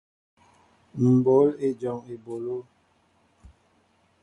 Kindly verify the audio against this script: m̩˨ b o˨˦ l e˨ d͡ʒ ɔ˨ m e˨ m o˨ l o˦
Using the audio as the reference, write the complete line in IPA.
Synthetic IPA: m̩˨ b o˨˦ l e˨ d͡ʒ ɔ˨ ŋ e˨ b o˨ l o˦